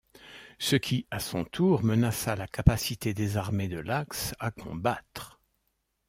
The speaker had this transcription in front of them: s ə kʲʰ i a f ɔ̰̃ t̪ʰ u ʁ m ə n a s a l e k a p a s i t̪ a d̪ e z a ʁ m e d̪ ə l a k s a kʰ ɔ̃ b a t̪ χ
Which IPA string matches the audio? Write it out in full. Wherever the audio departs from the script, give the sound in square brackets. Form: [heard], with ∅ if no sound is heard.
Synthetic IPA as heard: s ə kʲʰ i a [s] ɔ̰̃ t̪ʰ u ʁ m ə n a s a l [a] k a p a s i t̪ [e] d̪ e z a ʁ m e d̪ ə l a k s a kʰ ɔ̃ b a t̪ χ